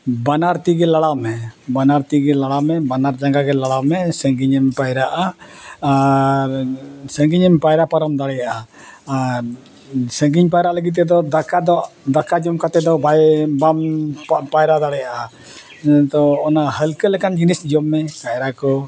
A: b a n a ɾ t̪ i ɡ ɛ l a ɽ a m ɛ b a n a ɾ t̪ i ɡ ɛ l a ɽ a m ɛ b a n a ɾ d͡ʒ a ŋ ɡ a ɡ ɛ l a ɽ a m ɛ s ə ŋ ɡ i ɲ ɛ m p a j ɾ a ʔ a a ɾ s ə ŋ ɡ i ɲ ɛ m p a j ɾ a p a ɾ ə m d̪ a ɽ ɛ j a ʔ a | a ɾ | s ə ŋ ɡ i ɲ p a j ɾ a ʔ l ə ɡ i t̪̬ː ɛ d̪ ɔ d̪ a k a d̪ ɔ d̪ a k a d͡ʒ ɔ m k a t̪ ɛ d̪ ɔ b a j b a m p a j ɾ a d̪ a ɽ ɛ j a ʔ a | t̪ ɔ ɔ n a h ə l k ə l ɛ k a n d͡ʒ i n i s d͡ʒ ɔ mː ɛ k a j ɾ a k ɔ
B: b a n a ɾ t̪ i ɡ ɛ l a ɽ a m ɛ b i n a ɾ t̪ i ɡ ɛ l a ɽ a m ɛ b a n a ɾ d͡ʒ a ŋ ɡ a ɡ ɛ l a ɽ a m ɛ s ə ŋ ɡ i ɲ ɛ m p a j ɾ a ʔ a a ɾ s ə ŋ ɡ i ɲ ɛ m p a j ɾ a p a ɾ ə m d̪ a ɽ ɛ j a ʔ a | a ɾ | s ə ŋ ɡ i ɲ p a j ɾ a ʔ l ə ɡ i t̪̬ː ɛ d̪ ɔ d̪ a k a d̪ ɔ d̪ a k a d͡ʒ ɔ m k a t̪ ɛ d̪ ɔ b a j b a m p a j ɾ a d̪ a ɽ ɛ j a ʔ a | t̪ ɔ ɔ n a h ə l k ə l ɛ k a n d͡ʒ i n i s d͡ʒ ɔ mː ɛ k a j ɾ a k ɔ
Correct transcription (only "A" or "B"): A